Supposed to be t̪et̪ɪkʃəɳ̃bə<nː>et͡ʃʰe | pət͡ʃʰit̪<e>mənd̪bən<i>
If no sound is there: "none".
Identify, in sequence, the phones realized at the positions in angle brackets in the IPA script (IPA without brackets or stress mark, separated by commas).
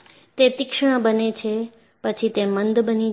n, e, i